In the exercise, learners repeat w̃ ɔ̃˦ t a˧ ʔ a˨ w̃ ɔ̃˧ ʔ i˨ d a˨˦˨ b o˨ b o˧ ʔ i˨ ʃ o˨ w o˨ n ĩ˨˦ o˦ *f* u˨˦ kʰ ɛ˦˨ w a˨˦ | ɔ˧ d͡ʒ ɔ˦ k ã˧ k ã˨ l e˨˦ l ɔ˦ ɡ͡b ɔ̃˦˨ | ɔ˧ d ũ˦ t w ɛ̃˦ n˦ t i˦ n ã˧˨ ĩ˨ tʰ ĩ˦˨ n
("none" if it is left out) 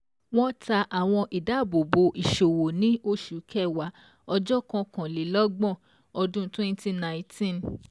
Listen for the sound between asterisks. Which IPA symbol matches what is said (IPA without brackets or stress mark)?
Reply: ʃ